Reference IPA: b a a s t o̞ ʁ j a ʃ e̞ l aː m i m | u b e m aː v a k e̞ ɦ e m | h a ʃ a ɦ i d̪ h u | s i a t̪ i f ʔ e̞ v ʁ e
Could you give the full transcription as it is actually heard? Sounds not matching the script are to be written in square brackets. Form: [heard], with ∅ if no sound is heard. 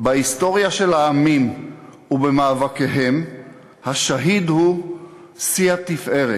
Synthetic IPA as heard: b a [i] s t o̞ ʁ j a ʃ e̞ l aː m i m | u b e m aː v a k e̞ ɦ e m | h a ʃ a ɦ i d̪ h u | s i a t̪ i f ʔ e̞ [∅] ʁ e